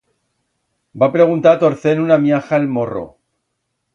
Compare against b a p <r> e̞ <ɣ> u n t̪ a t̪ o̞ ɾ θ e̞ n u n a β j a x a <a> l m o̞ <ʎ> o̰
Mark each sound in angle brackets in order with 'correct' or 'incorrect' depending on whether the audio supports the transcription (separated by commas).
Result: incorrect, correct, incorrect, incorrect